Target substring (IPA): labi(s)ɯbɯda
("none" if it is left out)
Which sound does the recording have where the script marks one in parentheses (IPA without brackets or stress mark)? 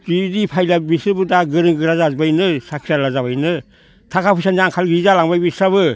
s